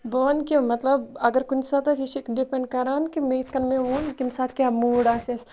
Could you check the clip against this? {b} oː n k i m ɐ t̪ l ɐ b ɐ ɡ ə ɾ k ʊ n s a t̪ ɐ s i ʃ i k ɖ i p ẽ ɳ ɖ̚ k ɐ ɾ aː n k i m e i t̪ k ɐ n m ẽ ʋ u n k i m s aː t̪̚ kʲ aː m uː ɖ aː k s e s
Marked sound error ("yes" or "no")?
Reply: no